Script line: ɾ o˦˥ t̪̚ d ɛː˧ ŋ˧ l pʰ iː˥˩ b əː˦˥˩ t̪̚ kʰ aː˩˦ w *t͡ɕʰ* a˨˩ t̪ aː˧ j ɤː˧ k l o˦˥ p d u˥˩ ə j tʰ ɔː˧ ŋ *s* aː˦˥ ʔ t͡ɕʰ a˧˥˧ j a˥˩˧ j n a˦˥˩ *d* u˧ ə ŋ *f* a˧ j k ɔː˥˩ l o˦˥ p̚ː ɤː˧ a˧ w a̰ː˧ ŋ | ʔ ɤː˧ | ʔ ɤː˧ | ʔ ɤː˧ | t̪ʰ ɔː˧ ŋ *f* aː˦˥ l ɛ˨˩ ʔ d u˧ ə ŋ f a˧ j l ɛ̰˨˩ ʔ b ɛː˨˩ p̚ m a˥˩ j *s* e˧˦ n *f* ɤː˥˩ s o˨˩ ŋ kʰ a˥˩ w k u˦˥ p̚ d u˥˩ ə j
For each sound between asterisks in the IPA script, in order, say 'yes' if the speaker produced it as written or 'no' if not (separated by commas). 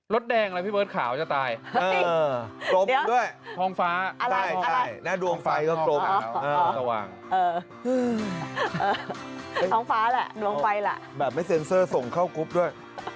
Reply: no, no, yes, yes, yes, yes, no